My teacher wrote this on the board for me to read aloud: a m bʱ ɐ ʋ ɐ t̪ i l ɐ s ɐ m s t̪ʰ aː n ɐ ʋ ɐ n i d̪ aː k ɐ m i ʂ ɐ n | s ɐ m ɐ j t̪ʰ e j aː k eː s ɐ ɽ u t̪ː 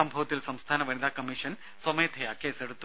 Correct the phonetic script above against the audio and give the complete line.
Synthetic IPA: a m bʱ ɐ ʋ ɐ t̪ i l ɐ s ɐ m s t̪ʰ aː n ɐ ʋ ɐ n i d̪ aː k ɐ m i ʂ ɐ n | s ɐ m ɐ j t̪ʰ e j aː k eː s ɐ ɽ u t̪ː